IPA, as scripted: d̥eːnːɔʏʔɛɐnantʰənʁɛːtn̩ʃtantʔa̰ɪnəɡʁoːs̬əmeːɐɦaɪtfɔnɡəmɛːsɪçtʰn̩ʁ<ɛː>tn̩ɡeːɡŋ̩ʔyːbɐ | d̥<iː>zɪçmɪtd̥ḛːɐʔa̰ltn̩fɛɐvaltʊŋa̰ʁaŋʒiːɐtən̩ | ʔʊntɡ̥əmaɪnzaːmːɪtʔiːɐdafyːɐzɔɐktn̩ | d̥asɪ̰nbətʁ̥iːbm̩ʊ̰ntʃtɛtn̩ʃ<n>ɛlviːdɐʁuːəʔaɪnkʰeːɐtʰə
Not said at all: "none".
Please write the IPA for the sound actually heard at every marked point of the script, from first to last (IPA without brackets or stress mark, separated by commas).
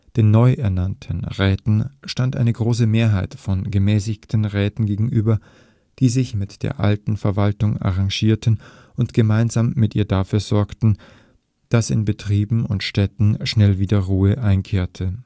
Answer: ɛː, iː, n